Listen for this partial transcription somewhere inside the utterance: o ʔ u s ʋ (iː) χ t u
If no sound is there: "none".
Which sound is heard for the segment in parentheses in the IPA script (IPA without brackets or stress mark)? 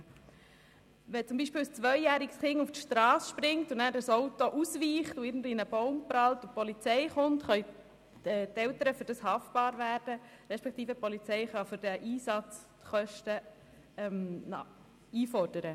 iː